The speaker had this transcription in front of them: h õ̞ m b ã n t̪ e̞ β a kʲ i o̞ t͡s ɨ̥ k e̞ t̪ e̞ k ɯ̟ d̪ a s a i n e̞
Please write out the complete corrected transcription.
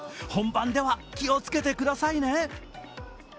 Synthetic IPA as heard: h õ̞ m b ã n d̪ e̞ β a kʲ i o̞ t͡s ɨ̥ k e̞ t̪ e̞ k ɯ̟ d̪ a s a i n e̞